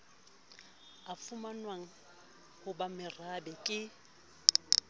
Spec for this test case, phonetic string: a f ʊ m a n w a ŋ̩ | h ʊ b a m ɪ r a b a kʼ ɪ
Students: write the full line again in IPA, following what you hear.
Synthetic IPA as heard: a f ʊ m a n w a ŋ̩ | h ʊ b a m ɪ r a b ɛ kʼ ɪ